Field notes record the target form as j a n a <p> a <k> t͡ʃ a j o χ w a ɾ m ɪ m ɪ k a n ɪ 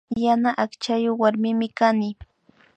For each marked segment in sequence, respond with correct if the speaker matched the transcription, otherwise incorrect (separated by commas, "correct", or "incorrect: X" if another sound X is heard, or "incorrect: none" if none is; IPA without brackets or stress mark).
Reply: incorrect: ʔ, correct